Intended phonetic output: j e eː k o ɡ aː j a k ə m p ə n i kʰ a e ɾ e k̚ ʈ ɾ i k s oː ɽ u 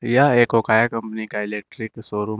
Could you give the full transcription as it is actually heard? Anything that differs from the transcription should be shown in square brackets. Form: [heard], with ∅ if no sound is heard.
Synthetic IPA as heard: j [a] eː k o [k] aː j a k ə m p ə n i [k] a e [l] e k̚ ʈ ɾ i k s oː [ɾ] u